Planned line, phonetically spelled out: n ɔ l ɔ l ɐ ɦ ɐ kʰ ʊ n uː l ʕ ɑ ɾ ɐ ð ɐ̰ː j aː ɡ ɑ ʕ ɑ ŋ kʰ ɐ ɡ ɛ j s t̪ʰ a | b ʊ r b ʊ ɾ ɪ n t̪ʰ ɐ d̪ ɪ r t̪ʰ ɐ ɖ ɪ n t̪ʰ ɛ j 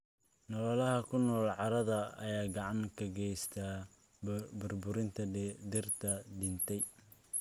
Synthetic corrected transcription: n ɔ l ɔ l ɐ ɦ ɐ kʰ ʊ n ɔː l ʕ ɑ ɾ ɐ ð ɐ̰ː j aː ɡ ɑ ʕ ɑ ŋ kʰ ɐ ɡ ɛ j s t̪ʰ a | b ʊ r b ʊ ɾ ɪ n t̪ʰ ɐ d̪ ɪ r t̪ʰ ɐ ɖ ɪ n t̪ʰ ɛ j